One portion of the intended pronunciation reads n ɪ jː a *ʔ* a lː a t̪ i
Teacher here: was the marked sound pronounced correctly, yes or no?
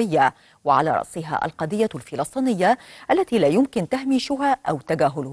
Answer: yes